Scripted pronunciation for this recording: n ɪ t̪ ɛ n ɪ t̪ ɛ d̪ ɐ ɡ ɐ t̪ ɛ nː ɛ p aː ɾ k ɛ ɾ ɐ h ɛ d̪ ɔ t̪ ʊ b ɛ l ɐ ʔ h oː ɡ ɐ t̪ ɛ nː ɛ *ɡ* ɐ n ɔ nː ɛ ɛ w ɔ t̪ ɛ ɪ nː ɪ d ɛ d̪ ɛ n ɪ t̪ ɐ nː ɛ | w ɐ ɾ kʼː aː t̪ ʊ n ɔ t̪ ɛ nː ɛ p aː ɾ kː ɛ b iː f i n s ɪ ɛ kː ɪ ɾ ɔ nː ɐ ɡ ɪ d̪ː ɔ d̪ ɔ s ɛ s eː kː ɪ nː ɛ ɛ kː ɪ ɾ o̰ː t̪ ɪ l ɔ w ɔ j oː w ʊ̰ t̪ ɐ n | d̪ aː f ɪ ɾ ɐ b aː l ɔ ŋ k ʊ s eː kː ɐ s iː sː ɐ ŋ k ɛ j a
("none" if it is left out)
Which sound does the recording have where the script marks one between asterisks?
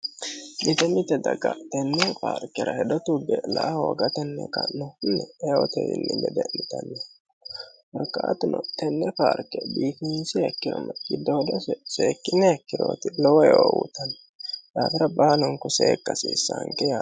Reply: k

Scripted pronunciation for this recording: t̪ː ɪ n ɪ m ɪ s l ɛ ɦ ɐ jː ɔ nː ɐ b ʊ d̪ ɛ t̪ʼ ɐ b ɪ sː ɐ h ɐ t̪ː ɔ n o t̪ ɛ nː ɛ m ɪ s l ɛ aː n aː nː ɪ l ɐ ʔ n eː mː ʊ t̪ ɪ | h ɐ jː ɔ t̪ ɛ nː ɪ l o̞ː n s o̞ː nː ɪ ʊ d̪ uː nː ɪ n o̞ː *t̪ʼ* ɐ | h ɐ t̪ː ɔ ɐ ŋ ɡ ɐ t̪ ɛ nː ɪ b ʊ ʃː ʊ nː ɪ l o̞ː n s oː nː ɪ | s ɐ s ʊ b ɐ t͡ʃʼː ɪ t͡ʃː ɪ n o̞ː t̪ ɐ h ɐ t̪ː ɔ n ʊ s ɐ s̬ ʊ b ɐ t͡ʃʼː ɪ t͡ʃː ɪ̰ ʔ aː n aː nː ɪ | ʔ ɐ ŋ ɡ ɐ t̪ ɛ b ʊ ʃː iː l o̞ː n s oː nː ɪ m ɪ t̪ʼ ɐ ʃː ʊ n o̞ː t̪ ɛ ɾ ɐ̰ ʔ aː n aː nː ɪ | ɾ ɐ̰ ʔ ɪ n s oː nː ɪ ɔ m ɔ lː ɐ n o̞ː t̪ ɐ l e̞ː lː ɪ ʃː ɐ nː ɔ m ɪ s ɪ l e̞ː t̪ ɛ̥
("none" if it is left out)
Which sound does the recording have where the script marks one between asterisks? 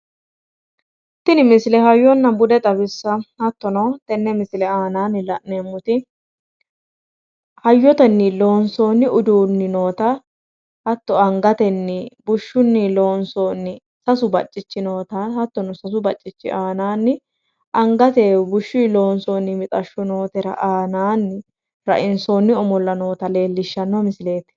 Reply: t̪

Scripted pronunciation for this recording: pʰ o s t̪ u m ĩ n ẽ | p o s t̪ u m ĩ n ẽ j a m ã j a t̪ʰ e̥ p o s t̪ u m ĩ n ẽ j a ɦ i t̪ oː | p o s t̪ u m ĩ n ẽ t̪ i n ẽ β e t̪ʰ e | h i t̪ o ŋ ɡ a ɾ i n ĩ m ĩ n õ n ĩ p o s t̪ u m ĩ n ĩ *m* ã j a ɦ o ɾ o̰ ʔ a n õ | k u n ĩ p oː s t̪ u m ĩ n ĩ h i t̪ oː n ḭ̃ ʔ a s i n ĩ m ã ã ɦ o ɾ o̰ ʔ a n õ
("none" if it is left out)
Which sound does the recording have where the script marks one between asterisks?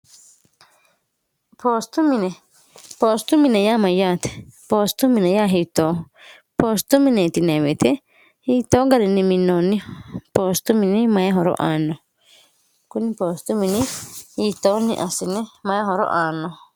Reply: m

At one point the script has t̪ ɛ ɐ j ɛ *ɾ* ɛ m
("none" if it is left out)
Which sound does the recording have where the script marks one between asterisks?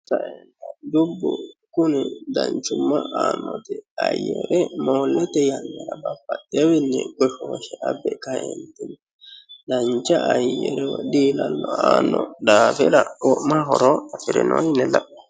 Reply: ɾ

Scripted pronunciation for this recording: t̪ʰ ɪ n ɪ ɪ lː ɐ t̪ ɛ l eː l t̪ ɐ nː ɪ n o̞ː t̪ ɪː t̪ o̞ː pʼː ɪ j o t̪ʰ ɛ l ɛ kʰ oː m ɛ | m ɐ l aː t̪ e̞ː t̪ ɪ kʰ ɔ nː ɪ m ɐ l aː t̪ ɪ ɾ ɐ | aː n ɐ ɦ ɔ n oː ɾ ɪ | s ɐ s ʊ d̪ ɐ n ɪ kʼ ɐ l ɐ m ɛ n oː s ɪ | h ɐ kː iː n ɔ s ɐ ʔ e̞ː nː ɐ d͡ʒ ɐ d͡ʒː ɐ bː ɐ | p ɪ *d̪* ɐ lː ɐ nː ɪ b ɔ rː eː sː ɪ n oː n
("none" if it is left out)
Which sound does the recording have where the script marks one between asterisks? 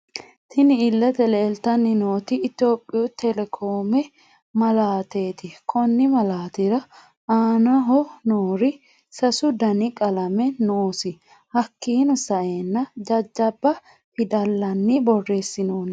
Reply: d̪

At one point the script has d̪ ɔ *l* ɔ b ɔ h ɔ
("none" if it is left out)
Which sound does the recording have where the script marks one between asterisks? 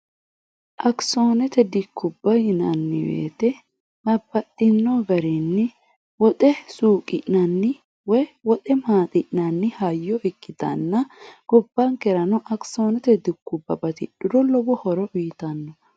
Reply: l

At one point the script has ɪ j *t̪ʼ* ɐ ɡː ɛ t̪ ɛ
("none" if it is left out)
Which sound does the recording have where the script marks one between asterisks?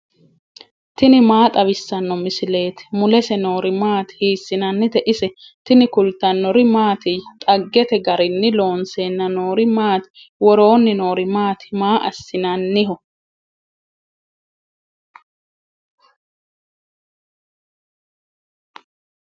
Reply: t̪ʼ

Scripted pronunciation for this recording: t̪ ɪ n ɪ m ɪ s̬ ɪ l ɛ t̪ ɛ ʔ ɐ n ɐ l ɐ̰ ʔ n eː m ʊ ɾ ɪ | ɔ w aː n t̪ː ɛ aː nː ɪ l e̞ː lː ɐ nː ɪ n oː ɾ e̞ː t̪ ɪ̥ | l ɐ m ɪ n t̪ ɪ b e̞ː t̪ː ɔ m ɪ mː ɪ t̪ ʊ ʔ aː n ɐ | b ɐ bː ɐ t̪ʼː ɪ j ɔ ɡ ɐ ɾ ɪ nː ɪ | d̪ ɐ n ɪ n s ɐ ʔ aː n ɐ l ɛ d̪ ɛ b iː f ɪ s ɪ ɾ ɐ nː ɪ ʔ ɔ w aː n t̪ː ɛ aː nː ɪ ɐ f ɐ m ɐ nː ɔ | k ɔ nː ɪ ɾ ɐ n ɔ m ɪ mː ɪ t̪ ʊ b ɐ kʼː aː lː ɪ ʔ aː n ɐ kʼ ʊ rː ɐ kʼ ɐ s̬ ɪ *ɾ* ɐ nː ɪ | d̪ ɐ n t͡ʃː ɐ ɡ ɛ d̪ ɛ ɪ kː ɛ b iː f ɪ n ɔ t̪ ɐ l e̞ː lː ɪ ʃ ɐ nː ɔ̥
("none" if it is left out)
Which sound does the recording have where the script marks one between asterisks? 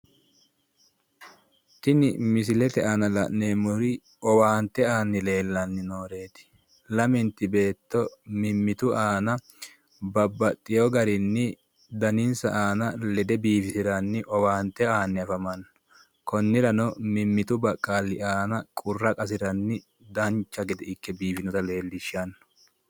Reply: ɾ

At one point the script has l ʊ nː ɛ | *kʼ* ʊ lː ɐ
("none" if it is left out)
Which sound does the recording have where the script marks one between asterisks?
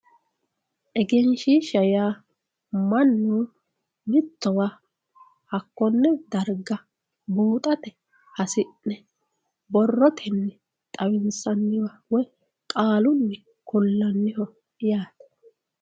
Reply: k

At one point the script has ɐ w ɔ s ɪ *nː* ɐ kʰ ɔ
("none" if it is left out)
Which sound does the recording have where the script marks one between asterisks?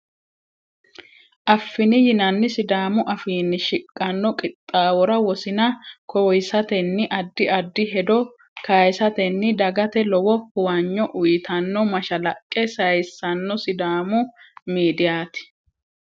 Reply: n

